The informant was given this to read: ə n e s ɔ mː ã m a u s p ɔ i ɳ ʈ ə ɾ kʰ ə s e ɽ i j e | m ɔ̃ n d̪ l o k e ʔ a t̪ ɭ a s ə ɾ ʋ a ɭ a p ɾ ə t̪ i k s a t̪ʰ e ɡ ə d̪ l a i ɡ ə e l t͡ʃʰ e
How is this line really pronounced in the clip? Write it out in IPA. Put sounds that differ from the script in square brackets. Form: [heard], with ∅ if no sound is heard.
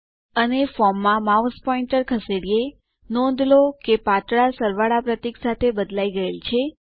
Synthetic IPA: ə n e [f] ɔ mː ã m a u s p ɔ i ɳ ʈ ə ɾ kʰ ə s e ɽ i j e | [n] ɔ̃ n d̪ l o k e [p] a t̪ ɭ a s ə ɾ ʋ a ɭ a p ɾ ə t̪ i k s a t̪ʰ e [b] ə d̪ l a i ɡ ə e l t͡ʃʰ e